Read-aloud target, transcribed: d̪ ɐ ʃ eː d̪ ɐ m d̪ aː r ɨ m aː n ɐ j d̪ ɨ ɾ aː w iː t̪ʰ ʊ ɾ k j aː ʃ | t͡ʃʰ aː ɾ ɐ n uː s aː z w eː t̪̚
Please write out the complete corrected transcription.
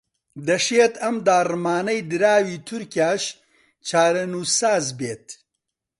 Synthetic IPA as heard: d̪ ɐ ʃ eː t̪ ɐ m d̪ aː r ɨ m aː n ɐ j d̪ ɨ ɾ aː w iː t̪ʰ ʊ ɾ k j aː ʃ | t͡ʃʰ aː ɾ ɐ n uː s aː z b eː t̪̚

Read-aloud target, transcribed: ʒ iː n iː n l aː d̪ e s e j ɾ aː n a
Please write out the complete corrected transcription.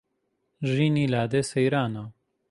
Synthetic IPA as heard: ʒ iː n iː l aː d̪ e s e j ɾ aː n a

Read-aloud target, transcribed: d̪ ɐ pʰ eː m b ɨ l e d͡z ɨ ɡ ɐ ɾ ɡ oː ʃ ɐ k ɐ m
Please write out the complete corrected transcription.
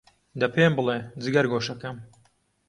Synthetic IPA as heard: d̪ ɐ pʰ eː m b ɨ l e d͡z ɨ ɡ ɐ ɾ ɡ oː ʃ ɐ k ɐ m

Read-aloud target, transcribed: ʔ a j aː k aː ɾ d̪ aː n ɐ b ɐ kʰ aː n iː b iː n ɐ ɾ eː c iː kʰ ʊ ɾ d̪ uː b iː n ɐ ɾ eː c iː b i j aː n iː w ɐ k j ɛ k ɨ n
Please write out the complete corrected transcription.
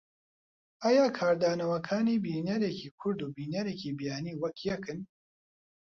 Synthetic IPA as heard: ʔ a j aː kʰ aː ɾ d̪ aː n ɐ w ɐ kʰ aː n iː b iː n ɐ ɾ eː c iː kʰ ʊ ɾ d̪ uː b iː n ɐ ɾ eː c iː b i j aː n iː w ɐ k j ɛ k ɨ n

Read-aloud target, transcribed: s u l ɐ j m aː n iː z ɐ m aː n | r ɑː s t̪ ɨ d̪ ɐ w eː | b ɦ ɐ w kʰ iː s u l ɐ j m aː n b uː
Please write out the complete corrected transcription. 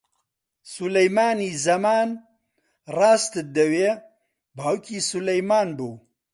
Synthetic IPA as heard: s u l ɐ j m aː n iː z ɐ m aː n | r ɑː s t̪ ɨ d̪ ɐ w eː | b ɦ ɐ w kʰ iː s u l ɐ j m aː n b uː

